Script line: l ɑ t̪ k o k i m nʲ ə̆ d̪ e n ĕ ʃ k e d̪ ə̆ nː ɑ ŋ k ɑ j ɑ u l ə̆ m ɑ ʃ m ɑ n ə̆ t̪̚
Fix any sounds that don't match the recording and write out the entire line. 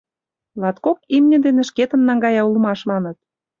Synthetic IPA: l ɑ t̪ k o k i m nʲ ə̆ d̪ e n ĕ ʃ k e t̪ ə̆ nː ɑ ŋ ɡ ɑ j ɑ u l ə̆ m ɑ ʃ m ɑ n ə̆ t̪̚